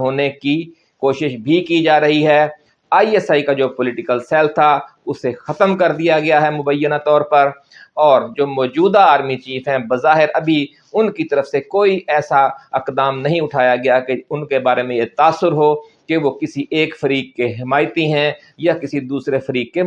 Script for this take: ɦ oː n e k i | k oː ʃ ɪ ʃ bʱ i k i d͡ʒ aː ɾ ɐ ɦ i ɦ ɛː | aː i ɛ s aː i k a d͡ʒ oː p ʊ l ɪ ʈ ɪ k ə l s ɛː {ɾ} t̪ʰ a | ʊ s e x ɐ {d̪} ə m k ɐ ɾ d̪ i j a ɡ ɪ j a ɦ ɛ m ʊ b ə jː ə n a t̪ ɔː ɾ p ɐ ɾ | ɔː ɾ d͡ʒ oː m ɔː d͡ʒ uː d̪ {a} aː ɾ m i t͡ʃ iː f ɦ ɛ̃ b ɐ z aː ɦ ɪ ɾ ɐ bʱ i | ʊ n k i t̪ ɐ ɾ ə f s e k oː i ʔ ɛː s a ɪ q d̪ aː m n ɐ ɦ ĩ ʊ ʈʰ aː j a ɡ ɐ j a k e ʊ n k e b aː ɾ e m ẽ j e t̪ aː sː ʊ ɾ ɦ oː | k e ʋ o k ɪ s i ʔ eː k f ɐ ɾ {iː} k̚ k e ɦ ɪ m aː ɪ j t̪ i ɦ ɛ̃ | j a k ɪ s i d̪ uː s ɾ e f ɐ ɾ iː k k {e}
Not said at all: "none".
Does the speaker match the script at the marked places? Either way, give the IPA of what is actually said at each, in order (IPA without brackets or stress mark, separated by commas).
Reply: l, t̪, a, iː, e